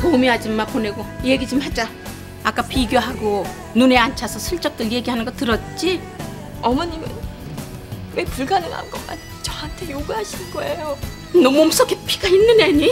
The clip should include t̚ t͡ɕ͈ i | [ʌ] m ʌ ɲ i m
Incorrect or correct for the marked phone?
correct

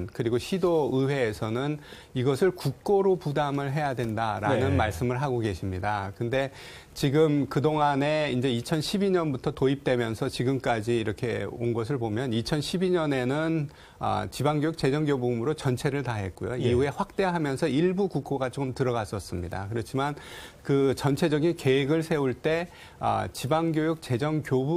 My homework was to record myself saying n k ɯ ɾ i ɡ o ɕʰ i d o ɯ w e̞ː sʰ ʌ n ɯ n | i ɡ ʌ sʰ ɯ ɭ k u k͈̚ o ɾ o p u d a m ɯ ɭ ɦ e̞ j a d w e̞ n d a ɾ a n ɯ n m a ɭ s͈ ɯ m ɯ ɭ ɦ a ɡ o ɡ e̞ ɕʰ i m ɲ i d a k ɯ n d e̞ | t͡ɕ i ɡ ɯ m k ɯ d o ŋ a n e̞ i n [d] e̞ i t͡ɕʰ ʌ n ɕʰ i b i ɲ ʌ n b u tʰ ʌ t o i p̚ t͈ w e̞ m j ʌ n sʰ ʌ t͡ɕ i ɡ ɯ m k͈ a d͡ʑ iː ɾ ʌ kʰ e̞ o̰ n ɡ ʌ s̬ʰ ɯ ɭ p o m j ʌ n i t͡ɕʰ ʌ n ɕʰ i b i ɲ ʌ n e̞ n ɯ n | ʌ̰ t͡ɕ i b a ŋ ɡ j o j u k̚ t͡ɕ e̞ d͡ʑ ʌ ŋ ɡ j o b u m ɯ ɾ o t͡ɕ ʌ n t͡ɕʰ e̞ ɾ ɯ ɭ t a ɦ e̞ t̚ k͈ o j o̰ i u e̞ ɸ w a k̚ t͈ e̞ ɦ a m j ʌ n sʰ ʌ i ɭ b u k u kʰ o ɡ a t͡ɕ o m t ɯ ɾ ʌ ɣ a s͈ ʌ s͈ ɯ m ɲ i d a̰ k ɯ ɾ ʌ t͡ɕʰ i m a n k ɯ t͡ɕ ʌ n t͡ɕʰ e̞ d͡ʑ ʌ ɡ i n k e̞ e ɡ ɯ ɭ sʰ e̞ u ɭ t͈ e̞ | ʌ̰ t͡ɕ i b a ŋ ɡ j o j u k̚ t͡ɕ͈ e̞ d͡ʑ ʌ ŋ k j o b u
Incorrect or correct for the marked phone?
incorrect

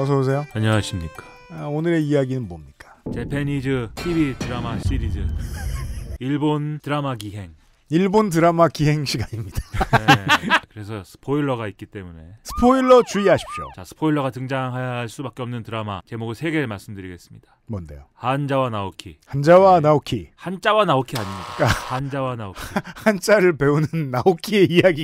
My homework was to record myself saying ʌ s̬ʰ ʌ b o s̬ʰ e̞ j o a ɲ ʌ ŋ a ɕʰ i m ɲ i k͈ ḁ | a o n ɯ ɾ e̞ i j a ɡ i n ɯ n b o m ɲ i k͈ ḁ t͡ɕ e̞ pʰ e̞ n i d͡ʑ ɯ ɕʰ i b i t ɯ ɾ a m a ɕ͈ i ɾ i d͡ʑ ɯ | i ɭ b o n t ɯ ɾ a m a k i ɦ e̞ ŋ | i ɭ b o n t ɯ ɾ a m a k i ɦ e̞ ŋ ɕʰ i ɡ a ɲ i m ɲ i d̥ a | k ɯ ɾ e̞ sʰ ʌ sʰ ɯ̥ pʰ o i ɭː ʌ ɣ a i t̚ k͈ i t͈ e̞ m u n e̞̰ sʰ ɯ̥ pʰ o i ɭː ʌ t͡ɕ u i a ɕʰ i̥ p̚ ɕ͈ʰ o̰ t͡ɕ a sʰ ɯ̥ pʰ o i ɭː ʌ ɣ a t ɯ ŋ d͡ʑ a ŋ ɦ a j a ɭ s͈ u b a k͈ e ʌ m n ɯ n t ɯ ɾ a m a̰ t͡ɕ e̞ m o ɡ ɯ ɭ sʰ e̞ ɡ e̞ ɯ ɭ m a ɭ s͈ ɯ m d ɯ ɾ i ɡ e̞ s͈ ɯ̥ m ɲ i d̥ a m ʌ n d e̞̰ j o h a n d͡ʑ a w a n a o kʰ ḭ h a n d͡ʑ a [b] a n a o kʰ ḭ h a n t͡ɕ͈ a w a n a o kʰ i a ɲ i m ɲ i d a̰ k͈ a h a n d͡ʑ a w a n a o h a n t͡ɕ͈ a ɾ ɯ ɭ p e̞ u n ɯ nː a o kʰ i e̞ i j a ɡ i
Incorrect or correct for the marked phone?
incorrect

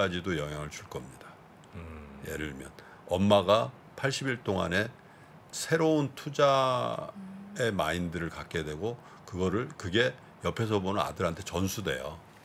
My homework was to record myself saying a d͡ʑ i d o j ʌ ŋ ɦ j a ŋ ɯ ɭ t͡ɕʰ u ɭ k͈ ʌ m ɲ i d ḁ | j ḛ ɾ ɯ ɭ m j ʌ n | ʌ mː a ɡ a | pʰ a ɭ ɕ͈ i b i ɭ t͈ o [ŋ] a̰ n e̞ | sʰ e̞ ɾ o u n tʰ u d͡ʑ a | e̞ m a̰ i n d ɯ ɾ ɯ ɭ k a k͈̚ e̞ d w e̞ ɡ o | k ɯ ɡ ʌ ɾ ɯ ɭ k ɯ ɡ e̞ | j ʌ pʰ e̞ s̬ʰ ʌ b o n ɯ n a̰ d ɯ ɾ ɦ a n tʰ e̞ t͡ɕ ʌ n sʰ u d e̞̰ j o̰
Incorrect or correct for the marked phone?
correct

